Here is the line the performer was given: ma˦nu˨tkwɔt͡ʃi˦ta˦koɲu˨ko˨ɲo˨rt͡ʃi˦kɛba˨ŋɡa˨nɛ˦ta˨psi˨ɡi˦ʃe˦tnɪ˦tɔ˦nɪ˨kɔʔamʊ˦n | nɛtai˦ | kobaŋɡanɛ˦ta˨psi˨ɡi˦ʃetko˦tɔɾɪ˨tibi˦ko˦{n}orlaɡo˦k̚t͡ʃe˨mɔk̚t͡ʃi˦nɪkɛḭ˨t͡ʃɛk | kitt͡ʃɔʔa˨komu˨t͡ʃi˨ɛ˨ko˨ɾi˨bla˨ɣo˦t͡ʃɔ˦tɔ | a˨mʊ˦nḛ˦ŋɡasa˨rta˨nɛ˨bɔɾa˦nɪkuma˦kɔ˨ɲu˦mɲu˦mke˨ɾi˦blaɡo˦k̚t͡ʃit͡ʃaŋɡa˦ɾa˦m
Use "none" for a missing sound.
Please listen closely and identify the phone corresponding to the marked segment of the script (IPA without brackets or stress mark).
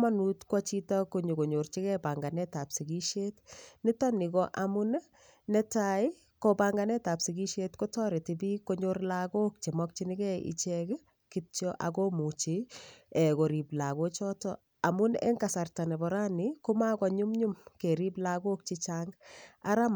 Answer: ɲ